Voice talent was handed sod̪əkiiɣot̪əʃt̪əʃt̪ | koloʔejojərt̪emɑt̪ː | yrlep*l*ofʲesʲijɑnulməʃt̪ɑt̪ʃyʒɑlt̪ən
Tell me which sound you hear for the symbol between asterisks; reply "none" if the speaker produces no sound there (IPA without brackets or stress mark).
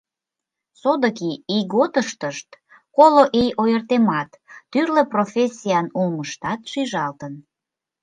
r